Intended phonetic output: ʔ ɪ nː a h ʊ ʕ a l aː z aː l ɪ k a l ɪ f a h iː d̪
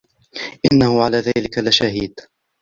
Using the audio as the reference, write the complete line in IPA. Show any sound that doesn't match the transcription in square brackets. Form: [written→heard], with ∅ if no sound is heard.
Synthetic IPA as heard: ʔ ɪ nː a h ʊ ʕ a l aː [z→ð] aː l ɪ k a l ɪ [f→ʃ] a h iː d̪

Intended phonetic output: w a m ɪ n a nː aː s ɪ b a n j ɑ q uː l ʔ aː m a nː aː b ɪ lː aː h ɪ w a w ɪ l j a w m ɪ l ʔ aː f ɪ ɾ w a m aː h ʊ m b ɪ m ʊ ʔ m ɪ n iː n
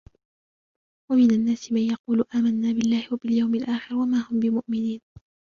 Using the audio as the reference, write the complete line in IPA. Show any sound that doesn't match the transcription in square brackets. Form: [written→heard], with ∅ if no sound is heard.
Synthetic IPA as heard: w a m ɪ n a nː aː s ɪ [b→m] a n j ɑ q uː l ʔ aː m a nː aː b ɪ lː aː h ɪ w a [w→b] ɪ l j a w m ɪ l ʔ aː [f→x] ɪ ɾ w a m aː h ʊ m b ɪ m ʊ ʔ m ɪ n iː n

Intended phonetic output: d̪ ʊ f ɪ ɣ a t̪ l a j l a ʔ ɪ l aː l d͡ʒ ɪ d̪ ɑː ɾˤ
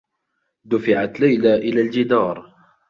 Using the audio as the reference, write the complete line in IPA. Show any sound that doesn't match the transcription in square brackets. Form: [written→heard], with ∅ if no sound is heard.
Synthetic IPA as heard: d̪ ʊ f ɪ [ɣ→ʕ] a t̪ l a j l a ʔ ɪ l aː l d͡ʒ ɪ d̪ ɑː ɾˤ

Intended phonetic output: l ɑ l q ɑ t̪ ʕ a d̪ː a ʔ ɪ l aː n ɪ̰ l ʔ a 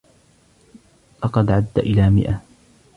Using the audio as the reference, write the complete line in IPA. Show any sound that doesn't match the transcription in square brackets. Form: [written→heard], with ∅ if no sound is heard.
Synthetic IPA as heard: l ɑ [l→∅] q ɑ [t̪→d̪] ʕ a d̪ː a ʔ ɪ l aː [n→m] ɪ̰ [l→∅] ʔ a

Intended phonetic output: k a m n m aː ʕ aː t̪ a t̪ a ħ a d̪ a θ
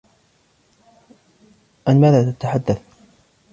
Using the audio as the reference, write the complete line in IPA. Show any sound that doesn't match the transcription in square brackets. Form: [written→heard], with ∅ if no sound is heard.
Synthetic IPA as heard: [k→ʔ] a [m→∅] n m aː [ʕ→ð] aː t̪ a t̪ a ħ a [d̪→d̪ː] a θ

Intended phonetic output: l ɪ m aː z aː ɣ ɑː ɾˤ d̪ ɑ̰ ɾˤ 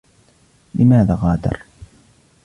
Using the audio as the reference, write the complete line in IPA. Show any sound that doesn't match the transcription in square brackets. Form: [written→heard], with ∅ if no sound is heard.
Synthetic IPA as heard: l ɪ m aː [z→ð] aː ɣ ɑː [ɾˤ→∅] d̪ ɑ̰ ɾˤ

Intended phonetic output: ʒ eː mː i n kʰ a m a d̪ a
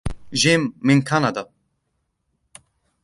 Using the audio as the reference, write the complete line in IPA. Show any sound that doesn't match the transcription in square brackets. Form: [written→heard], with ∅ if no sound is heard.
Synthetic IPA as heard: ʒ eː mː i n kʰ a [m→n] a d̪ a

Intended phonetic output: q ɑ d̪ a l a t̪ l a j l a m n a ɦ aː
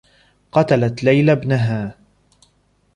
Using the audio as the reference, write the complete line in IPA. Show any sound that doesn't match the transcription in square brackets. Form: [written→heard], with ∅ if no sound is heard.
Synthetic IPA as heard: q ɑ [d̪→t̪] a l a t̪ l a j l a [m→b] n a ɦ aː

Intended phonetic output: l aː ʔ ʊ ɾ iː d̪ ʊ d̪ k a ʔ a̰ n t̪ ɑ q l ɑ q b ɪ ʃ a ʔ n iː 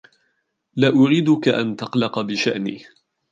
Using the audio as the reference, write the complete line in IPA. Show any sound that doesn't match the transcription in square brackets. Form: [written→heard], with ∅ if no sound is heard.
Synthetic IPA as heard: l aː ʔ ʊ ɾ iː d̪ ʊ [d̪→∅] k a ʔ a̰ n t̪ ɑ q l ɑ q b ɪ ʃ a ʔ n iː

